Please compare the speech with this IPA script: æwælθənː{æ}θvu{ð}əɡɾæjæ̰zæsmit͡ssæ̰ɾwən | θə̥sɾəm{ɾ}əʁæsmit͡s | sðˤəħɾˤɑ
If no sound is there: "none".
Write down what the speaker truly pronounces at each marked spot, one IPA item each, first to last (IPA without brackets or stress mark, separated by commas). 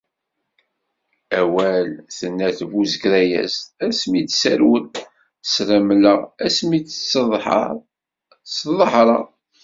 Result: æ, z, l